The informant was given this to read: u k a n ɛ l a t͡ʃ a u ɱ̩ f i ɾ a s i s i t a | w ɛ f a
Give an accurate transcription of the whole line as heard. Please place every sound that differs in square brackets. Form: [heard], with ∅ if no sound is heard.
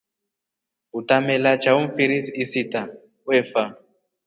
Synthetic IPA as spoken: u [t] a [m] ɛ l a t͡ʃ a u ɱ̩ f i ɾ [i] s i s i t a | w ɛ f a